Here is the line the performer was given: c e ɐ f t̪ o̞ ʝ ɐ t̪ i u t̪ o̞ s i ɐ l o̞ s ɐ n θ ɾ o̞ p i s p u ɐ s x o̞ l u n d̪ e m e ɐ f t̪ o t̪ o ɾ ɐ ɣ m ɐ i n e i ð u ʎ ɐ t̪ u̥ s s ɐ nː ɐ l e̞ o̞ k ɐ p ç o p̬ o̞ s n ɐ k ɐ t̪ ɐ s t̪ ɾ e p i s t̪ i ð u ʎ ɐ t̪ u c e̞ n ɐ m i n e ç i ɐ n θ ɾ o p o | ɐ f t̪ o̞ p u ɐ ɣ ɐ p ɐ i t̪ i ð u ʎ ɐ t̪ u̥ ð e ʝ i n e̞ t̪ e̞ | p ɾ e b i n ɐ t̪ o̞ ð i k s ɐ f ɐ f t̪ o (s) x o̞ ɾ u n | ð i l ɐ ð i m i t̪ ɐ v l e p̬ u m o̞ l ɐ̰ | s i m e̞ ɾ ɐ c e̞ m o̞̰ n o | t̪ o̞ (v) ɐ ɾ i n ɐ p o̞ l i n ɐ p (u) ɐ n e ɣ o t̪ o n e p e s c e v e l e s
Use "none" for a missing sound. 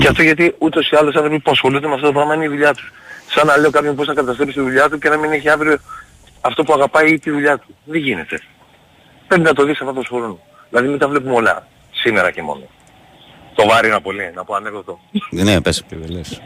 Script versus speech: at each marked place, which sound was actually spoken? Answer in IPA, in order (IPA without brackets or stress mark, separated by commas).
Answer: s, v, o